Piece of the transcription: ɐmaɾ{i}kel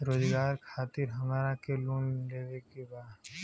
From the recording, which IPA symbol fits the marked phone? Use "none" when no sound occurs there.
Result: a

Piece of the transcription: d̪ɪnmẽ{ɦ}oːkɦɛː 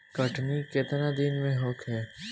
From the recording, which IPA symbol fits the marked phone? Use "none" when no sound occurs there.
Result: ɦ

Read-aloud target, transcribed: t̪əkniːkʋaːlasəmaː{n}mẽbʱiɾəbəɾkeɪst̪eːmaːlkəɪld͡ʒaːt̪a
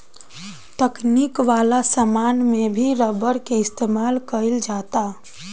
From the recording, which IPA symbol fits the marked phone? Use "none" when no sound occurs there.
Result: n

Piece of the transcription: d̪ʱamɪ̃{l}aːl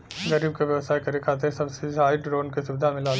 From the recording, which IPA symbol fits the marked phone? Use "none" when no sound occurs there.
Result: l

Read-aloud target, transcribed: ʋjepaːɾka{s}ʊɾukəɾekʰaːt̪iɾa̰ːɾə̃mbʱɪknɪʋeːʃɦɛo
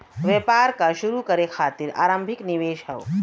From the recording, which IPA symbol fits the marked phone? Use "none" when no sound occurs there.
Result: ʃ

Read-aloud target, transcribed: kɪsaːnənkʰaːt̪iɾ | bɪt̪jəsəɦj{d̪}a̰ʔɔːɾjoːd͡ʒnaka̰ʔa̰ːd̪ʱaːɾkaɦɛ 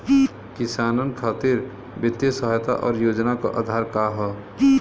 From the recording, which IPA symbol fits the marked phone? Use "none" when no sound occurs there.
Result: t̪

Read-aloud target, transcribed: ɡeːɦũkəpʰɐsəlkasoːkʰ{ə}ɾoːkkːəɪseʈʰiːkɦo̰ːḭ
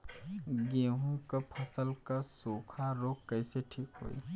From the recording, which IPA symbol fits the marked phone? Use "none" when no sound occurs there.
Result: a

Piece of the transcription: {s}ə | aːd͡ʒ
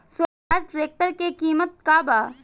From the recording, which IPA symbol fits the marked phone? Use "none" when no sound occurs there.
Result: s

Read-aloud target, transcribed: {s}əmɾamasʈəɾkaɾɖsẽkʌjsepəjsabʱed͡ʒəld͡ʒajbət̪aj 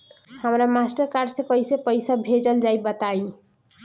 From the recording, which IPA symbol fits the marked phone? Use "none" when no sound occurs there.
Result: h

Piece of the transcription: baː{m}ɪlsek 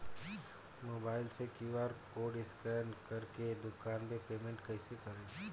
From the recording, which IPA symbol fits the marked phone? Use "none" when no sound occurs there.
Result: none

